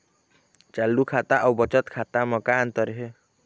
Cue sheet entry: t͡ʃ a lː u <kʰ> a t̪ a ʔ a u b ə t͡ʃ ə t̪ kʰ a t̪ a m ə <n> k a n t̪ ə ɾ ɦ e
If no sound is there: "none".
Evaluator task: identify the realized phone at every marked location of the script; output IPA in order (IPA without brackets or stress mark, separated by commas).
kʰ, none